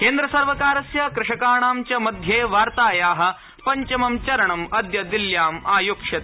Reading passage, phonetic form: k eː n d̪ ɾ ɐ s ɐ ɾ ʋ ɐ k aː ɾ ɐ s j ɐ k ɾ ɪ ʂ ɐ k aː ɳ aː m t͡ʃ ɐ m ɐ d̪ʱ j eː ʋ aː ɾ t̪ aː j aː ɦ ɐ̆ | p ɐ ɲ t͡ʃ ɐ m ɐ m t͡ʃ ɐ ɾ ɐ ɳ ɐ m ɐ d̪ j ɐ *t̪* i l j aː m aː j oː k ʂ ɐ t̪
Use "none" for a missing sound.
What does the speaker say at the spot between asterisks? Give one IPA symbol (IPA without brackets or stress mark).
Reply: d̪